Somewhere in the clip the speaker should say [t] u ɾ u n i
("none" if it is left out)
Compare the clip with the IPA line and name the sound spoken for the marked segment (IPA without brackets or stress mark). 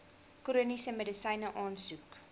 k